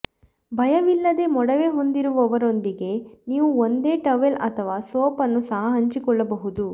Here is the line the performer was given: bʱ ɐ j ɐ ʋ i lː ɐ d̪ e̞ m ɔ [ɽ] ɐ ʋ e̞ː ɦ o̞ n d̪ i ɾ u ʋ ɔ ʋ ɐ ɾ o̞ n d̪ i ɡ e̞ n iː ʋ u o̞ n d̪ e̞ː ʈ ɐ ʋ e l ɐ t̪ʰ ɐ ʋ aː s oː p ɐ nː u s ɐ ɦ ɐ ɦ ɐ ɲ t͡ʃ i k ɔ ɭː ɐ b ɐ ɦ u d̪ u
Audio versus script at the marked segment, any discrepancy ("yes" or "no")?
no